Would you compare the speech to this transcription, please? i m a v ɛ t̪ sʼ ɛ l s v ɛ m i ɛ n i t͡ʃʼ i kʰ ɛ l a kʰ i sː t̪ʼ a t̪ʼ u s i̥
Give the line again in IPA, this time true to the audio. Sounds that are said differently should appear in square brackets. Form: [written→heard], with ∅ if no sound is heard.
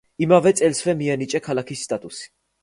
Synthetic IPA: i m a v ɛ t̪ sʼ ɛ l s v ɛ m i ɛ n i t͡ʃʼ [i→ɛ] kʰ [ɛ→a] l a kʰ i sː t̪ʼ a t̪ʼ u s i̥